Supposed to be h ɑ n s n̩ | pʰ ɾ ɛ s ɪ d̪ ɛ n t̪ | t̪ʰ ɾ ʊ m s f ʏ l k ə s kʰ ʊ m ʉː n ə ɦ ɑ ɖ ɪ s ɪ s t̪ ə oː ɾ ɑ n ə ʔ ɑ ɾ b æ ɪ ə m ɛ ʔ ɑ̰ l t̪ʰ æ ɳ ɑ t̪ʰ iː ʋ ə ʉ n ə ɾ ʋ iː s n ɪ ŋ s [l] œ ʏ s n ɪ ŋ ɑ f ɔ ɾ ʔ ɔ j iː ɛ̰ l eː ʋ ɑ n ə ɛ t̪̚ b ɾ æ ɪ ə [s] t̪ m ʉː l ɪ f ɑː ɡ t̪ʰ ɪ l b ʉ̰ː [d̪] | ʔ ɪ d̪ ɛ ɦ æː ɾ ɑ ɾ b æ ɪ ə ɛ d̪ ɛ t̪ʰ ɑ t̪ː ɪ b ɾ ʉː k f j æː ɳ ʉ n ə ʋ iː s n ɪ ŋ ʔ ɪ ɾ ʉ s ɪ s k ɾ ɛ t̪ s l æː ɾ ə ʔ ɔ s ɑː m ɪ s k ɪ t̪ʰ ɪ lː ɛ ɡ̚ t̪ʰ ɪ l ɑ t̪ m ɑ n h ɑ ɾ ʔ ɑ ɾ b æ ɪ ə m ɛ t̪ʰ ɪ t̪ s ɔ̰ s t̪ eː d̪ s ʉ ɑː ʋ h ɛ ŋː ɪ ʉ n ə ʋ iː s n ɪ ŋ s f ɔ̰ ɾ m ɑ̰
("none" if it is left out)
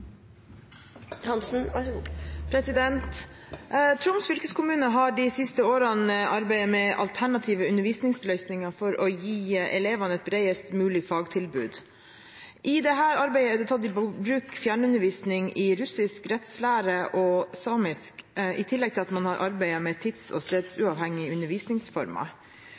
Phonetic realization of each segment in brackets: l, s, d̪

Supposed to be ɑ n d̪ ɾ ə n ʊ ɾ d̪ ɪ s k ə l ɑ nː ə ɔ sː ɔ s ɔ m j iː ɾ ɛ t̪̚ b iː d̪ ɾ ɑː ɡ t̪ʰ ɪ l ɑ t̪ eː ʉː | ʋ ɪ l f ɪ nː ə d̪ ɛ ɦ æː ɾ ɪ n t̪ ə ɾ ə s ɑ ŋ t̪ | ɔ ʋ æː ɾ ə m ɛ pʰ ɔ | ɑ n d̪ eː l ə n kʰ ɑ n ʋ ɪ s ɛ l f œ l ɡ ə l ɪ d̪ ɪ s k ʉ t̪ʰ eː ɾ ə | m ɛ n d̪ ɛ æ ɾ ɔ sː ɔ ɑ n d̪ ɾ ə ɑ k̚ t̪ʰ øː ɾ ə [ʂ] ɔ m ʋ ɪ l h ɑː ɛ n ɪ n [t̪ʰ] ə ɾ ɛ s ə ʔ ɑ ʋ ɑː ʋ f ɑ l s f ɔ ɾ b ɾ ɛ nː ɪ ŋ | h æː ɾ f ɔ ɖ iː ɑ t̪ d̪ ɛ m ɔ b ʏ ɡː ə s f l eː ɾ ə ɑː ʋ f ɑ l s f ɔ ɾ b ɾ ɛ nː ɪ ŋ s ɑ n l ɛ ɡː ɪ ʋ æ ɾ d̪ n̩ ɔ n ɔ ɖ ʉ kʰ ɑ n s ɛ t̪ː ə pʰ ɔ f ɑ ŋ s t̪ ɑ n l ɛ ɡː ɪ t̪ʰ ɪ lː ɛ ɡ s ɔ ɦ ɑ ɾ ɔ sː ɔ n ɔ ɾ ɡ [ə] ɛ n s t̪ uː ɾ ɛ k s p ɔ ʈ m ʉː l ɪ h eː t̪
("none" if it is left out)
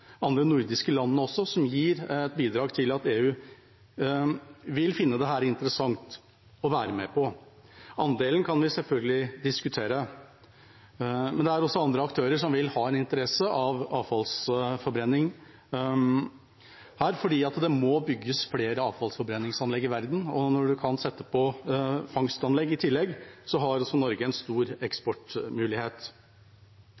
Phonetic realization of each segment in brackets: ʂ, t̪, ə

